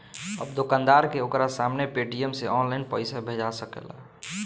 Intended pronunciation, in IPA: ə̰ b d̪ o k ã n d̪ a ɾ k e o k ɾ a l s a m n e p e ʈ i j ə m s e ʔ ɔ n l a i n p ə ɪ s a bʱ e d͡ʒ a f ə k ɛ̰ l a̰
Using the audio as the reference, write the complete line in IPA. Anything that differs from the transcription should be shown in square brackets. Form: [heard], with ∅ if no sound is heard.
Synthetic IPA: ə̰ b d̪ o k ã n d̪ a ɾ k e o k ɾ a [∅] s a m n e p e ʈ i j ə m s e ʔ ɔ n l a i n p ə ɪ s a bʱ e d͡ʒ a [s] ə k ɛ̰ l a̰